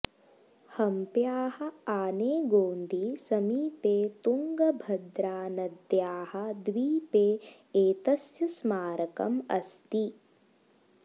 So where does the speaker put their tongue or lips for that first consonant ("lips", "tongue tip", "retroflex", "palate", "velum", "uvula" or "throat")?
throat